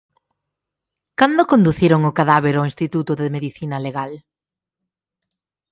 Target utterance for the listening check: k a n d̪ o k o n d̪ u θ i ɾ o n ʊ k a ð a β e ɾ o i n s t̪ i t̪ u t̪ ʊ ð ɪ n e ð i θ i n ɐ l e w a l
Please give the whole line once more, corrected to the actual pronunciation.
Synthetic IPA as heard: k a n d̪ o k o n d̪ u θ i ɾ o ŋ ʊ k a ð a β e ɾ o i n s t̪ i t̪ u t̪ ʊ ð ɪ m e ð i θ i n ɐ l e ɣ a l